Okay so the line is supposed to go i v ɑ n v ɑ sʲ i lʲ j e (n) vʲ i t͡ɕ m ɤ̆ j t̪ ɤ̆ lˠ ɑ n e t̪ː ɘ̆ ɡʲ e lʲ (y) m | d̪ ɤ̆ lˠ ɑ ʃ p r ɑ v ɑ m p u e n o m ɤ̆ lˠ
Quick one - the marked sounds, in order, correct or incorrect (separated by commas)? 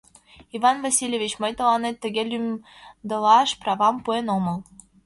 incorrect, correct